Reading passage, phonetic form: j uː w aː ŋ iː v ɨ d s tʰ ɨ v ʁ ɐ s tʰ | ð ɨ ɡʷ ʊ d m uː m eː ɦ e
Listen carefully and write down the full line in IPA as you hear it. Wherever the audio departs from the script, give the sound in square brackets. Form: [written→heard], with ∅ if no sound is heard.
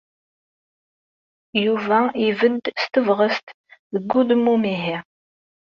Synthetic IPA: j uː [w→v] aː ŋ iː v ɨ d s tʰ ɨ v ʁ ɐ s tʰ | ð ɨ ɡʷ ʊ d m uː m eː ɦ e

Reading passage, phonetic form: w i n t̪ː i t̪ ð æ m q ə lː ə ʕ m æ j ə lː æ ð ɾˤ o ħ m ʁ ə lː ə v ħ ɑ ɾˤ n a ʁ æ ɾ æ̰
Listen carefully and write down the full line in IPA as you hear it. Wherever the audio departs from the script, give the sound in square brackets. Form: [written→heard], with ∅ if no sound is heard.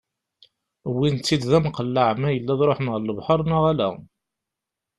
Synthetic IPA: w i n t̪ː i [t̪→d̪] ð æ m q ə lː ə ʕ m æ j ə lː æ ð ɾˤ o ħ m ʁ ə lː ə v ħ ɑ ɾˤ n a ʁ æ [ɾ→l] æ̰

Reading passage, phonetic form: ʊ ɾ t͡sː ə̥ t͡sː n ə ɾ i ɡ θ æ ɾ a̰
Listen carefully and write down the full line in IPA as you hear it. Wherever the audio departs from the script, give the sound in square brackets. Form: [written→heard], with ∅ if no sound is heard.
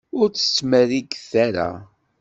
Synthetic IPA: ʊ ɾ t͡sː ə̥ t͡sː [n→m] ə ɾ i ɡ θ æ ɾ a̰

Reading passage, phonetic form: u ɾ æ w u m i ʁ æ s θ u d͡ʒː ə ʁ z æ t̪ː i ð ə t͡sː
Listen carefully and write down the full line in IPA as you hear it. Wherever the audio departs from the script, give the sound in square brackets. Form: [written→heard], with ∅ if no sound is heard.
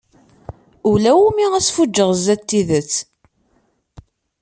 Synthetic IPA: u [ɾ→l] æ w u m i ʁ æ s [θ→f] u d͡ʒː ə ʁ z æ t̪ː i ð ə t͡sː

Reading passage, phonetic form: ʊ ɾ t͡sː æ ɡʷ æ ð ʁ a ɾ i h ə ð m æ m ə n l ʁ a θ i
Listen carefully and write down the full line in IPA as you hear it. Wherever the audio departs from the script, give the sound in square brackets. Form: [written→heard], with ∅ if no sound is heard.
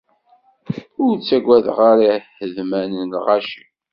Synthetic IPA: ʊ ɾ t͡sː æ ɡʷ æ ð ʁ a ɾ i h ə ð m æ [m→n] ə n l ʁ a [θ→ʃ] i

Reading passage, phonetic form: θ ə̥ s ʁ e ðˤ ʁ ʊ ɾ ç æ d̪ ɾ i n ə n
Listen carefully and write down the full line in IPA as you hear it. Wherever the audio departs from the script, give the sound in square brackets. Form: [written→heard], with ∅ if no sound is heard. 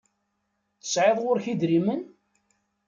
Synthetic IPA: θ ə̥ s [ʁ→ʕ] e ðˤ ʁ ʊ ɾ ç [æ→i] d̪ ɾ i [n→m] ə n

